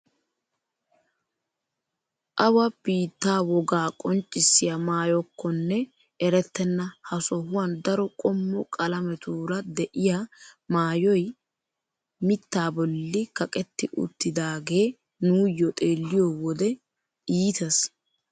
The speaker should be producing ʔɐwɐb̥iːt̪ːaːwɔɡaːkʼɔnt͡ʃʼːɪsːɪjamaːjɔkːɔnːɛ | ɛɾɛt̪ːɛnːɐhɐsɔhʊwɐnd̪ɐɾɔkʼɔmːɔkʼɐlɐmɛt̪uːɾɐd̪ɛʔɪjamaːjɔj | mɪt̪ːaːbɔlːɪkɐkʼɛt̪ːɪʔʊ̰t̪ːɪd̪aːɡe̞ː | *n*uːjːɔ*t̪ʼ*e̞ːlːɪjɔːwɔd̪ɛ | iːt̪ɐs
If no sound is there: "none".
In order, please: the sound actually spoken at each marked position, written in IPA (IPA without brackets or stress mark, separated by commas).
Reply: n, t̪ʼ